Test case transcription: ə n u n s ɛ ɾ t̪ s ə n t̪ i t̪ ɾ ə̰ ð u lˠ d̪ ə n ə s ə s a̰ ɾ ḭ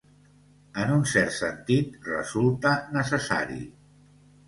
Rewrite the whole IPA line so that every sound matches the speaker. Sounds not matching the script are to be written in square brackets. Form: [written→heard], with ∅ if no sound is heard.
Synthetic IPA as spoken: ə n u n s ɛ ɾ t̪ s ə n t̪ i t̪ [ɾ→r] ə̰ [ð→z] u lˠ [d̪→t̪] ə n ə s ə s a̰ ɾ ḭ